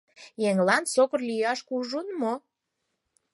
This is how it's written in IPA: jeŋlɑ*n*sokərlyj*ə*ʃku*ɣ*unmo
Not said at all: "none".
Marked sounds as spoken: n, ɑ, ʒ

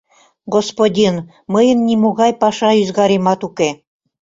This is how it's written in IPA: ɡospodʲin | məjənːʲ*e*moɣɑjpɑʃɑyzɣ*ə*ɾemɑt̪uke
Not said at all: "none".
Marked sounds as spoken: i, ɑ

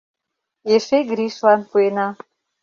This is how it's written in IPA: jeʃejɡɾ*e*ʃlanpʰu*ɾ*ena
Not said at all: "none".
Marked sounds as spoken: i, none

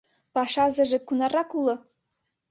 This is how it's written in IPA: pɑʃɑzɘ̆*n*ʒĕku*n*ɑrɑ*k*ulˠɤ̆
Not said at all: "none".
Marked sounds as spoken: none, n, k

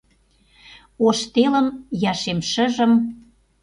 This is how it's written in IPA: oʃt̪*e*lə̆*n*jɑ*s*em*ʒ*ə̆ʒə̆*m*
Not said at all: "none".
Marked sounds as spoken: e, m, ʃ, ʃ, m

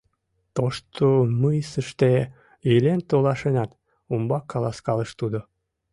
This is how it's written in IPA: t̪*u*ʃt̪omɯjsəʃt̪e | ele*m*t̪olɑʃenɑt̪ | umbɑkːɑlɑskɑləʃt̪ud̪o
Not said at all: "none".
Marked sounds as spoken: o, n

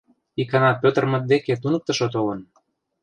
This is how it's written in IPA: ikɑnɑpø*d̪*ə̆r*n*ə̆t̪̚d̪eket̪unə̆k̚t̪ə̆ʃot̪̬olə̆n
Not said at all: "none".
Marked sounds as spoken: t̪, m

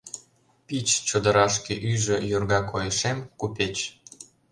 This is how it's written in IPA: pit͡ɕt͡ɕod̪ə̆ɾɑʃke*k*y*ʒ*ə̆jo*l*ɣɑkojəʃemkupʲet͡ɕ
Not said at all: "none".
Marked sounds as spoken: ʔ, ʒ, r

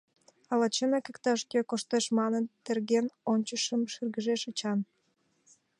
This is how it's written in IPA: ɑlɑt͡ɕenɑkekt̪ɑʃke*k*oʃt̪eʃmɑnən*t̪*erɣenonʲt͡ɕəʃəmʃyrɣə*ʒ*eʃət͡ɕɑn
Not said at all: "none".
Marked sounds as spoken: k, t̪, ʒ

